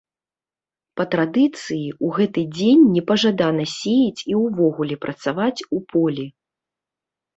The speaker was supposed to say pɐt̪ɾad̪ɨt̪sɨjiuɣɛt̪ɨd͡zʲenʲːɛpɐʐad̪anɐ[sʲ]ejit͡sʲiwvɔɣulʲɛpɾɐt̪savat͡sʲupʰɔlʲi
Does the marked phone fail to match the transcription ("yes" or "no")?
no